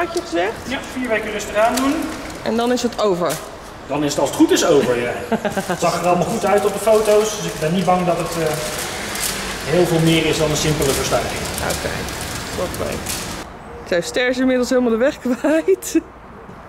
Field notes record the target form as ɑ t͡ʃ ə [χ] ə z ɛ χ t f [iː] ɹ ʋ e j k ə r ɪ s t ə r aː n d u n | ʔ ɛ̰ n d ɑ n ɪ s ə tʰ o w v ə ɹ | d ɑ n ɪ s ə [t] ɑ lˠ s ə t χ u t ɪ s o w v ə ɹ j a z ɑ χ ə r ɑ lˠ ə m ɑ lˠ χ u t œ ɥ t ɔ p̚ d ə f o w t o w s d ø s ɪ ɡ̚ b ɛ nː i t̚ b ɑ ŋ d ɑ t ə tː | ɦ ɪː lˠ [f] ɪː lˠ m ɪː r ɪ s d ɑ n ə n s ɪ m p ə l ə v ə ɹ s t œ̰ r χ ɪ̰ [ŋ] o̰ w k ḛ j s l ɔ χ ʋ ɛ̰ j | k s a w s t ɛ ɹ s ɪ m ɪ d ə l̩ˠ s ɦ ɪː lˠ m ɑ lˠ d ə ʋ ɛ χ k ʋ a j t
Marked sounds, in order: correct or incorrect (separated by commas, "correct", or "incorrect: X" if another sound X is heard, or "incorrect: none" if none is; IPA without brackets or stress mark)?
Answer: correct, correct, correct, incorrect: v, correct